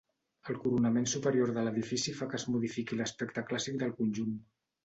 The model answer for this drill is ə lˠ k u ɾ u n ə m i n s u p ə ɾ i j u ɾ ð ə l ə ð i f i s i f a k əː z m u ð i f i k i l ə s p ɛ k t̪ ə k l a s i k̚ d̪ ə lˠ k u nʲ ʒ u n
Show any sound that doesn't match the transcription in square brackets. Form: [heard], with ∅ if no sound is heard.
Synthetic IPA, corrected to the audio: ə lˠ k u ɾ u n ə m [e] n s u p ə ɾ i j [o] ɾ ð ə l ə ð i f i s i f a k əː z m u ð i f i k i l ə s p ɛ k t̪ ə k l a s i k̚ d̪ ə lˠ k u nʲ ʒ u n